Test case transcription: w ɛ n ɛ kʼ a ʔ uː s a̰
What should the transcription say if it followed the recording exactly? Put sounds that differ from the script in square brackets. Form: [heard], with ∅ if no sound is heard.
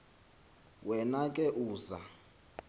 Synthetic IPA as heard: w ɛ n [a] kʼ [ɛ] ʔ uː [z] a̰